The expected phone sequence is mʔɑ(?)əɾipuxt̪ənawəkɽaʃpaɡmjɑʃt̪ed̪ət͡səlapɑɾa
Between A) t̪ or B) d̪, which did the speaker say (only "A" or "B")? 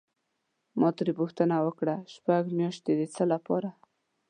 A